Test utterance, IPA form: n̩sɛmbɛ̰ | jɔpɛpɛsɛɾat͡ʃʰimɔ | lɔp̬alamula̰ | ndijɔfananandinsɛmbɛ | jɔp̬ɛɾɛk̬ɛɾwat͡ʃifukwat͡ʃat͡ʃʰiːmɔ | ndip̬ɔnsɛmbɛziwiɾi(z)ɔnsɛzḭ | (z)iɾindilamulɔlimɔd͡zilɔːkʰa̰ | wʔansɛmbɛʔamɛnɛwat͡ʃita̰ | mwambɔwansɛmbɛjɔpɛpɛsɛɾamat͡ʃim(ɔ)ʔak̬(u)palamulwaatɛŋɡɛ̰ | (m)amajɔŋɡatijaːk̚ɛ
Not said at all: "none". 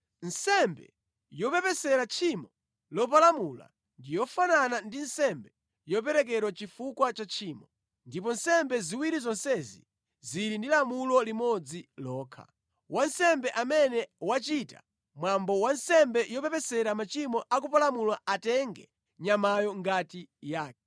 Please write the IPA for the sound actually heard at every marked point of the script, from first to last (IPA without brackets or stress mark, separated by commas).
z, z, ɔ, u, ɲ